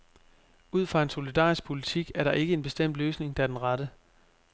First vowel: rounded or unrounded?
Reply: rounded